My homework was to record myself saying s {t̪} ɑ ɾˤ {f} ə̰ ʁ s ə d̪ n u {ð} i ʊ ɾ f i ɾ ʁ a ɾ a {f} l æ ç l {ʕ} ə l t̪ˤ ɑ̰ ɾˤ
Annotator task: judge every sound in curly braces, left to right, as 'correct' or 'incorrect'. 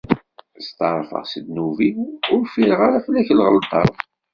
correct, correct, incorrect, correct, incorrect

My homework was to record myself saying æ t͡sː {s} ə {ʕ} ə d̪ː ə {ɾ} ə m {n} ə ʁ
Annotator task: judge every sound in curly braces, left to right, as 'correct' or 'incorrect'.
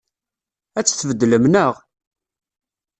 incorrect, incorrect, incorrect, correct

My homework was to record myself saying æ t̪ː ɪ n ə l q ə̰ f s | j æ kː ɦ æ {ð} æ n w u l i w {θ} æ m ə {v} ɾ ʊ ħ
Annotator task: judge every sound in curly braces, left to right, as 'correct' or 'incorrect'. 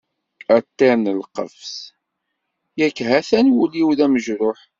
incorrect, incorrect, incorrect

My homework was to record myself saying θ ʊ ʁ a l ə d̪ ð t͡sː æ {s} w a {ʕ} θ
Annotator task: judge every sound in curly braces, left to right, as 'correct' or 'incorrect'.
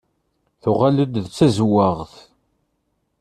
incorrect, incorrect

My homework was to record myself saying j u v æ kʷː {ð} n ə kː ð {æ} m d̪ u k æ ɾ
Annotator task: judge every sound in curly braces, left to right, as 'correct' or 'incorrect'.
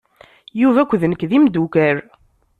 correct, incorrect

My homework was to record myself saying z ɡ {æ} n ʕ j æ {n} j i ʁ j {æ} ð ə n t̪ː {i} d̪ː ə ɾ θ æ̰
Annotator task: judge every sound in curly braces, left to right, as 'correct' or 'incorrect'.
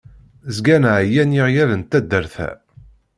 correct, correct, correct, incorrect

